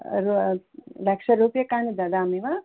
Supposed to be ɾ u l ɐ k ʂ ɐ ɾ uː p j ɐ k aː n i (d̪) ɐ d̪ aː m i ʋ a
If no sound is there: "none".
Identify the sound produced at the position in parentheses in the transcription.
d̪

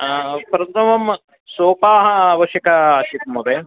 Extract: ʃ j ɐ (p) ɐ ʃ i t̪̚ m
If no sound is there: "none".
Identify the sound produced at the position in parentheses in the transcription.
k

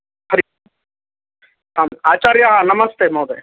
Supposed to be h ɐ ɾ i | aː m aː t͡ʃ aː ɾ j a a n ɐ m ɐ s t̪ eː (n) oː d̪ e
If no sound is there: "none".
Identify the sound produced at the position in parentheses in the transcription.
m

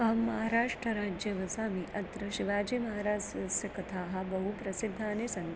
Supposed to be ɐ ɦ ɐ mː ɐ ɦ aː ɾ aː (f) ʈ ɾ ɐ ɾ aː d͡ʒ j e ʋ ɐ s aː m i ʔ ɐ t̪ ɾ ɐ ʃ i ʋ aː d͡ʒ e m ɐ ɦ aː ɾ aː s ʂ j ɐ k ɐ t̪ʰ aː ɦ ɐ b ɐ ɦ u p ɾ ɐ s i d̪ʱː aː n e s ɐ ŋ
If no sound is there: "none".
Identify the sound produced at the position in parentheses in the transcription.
ʂ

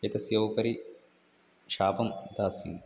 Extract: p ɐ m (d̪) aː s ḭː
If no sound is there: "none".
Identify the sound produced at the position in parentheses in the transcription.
d̪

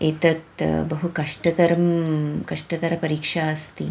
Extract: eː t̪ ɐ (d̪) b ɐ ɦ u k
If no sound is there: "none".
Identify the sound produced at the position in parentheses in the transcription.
t̪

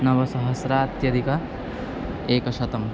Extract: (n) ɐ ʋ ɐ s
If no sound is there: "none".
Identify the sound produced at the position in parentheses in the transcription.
n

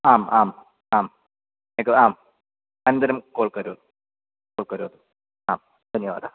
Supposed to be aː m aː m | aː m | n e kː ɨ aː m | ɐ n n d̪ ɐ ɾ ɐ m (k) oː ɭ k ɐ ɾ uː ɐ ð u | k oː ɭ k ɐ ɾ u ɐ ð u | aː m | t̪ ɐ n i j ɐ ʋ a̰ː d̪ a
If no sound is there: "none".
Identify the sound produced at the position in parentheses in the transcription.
k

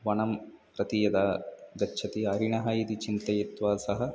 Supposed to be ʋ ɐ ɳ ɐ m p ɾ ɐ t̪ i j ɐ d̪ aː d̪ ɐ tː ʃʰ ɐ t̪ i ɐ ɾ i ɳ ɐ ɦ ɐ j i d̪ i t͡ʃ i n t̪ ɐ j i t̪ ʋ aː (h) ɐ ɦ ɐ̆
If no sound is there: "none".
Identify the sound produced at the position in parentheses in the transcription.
s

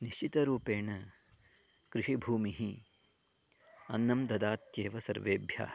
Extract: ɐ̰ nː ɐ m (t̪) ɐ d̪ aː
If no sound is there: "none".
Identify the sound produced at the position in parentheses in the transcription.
d̪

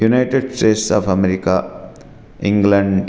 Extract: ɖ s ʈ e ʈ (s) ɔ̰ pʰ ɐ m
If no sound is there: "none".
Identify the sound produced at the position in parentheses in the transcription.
s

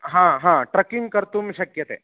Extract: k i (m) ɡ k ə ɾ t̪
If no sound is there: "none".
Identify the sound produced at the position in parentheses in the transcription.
ŋ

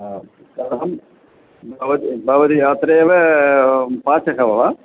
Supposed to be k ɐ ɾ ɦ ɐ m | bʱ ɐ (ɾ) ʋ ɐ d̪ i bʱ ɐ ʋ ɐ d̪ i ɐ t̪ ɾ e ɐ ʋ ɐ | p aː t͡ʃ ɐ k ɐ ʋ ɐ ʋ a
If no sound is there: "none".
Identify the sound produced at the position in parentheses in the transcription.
none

